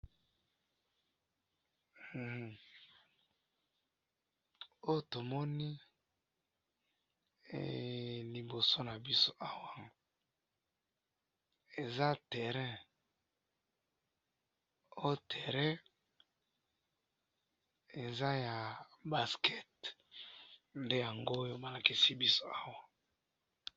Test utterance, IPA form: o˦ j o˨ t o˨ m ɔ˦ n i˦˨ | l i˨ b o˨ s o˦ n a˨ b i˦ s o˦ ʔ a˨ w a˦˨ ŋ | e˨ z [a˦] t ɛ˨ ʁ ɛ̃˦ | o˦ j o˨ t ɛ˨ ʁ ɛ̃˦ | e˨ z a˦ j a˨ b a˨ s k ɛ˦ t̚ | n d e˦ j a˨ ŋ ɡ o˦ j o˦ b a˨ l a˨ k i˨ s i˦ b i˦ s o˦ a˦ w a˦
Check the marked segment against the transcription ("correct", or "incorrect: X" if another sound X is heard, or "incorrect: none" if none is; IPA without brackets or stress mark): correct